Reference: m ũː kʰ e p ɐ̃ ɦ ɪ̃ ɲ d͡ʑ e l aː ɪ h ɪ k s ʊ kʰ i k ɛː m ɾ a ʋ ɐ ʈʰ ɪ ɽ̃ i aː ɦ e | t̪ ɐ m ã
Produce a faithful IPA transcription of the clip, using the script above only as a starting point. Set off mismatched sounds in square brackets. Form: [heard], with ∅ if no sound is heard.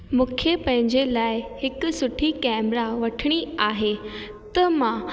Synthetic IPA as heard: m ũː kʰ e p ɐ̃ ɦ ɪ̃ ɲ d͡ʑ e l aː ɪ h ɪ k s ʊ [ʈʰ] i k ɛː m ɾ a ʋ ɐ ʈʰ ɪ ɽ̃ i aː ɦ e | t̪ ɐ m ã

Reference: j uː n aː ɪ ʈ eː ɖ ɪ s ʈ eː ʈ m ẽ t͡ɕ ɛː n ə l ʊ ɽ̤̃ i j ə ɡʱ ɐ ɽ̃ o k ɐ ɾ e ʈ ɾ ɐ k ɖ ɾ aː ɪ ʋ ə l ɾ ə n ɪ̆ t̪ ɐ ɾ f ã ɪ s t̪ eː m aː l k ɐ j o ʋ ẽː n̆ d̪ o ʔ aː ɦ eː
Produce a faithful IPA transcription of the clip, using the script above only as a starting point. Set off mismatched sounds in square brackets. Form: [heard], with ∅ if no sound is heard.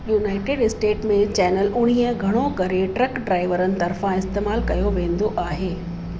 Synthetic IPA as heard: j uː n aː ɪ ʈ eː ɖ ɪ s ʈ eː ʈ m ẽ t͡ɕ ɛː n ə l ʊ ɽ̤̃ i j ə ɡʱ ɐ ɽ̃ o k ɐ ɾ e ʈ ɾ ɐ k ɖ ɾ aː ɪ ʋ ə [∅] ɾ ə n ɪ̆ t̪ ɐ ɾ f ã ɪ s t̪ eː m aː l k ɐ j o ʋ ẽː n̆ d̪ o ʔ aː ɦ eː

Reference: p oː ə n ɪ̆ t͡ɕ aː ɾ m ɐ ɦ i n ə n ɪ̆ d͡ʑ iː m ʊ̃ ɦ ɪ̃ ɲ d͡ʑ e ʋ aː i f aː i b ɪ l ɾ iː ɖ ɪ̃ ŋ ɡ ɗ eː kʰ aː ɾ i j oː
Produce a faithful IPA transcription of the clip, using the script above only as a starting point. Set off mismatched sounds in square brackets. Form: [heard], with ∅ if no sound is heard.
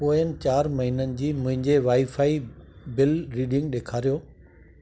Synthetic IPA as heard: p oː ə n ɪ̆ t͡ɕ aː ɾ m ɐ ɦ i n ə n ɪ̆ d͡ʑ iː m ʊ̃ ɦ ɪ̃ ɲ d͡ʑ e ʋ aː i f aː i b ɪ l ɾ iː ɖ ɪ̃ ŋ ɡ ɗ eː kʰ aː ɾ i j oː

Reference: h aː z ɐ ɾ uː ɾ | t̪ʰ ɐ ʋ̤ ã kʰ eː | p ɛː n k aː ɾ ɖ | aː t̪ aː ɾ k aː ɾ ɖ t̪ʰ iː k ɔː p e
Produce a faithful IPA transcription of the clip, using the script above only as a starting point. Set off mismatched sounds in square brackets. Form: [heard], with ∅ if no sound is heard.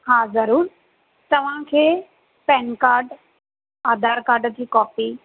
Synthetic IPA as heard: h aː z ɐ ɾ uː ɾ | [t̪] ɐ ʋ̤ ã kʰ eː | p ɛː n k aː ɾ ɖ | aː [d̪] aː ɾ k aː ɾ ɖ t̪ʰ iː k ɔː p [i]

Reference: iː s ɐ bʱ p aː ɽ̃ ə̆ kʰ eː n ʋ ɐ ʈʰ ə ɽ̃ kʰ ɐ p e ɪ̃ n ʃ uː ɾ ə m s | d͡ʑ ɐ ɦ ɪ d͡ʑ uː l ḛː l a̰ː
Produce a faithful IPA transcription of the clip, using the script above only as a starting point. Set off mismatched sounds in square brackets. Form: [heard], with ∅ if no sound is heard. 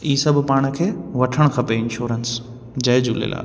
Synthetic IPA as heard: iː s ɐ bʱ p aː ɽ̃ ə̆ kʰ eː [∅] ʋ ɐ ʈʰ ə ɽ̃ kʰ ɐ p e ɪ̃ n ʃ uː ɾ ə [n] s | d͡ʑ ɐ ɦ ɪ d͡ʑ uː l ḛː l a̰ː

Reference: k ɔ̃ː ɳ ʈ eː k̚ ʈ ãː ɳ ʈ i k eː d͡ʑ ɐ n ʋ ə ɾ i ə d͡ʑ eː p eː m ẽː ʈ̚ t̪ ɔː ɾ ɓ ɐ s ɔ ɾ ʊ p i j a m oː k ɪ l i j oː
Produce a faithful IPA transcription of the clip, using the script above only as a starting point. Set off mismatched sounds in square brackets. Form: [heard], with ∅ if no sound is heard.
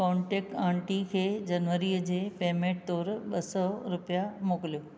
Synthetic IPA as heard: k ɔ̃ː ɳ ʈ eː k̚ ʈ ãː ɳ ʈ i [kʰ] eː d͡ʑ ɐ n ʋ ə ɾ i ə d͡ʑ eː p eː m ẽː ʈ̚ t̪ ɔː ɾ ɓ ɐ s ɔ ɾ ʊ p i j a m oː k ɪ l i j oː

